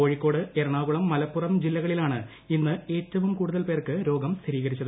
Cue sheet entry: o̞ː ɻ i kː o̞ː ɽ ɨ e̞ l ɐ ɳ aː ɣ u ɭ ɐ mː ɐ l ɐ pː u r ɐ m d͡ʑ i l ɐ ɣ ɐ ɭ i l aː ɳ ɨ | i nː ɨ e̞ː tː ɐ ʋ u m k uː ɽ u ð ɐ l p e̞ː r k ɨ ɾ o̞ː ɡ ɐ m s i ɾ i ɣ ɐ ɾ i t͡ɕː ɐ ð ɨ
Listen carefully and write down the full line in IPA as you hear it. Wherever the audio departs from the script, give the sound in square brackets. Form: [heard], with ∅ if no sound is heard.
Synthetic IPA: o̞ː ɻ i kː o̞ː ɽ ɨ e̞ [ɾ] ɐ ɳ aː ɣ u ɭ ɐ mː ɐ l ɐ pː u r ɐ m d͡ʑ i [lː] ɐ ɣ ɐ ɭ i l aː ɳ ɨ | i nː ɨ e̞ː tː ɐ ʋ u m k uː ɽ u ð ɐ l p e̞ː r k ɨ ɾ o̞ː ɡ ɐ m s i ɾ [iː] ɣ ɐ ɾ i t͡ɕː ɐ ð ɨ